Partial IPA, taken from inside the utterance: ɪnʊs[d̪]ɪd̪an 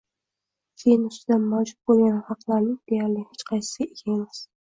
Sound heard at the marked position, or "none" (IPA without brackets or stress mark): t̪